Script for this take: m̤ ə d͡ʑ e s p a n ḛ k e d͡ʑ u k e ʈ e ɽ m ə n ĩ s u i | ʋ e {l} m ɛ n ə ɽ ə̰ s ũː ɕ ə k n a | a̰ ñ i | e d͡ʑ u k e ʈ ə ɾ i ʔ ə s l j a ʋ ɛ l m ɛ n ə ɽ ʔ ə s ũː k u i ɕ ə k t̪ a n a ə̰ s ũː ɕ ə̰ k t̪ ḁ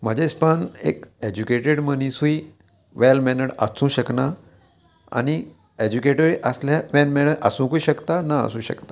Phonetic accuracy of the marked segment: correct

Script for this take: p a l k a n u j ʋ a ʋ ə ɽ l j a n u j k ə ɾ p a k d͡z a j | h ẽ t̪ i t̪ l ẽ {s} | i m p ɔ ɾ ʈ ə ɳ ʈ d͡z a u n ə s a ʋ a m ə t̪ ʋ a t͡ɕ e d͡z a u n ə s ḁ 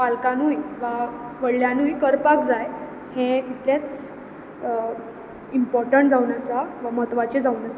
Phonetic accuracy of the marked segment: incorrect: t͡s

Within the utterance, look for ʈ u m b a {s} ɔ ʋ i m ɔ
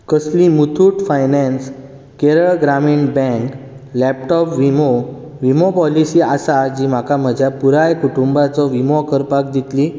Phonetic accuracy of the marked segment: incorrect: t͡s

